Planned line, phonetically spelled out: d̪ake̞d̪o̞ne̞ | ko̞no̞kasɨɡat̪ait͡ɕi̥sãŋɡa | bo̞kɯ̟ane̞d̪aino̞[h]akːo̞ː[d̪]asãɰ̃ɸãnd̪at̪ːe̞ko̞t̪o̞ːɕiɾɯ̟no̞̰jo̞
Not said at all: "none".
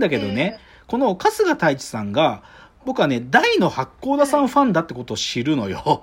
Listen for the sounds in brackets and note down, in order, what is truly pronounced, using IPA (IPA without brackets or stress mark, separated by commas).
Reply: h, d̪